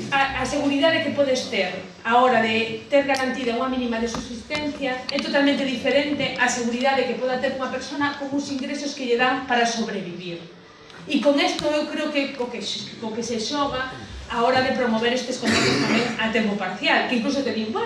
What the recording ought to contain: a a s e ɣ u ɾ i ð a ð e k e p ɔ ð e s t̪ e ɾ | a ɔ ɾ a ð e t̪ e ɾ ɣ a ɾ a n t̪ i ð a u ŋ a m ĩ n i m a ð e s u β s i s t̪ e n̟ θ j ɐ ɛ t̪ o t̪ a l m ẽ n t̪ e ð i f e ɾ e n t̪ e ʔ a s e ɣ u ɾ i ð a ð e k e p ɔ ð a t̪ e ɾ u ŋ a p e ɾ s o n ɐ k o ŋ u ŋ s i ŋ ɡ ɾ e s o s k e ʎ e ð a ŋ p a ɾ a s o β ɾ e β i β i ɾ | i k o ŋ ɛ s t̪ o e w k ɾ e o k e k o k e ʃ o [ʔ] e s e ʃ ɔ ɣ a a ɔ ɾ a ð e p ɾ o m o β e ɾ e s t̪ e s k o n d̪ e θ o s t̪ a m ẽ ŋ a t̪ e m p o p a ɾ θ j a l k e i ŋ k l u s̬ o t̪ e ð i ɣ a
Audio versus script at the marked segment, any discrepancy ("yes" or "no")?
yes